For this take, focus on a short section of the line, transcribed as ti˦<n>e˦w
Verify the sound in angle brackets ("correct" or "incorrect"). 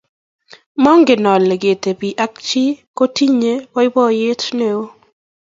incorrect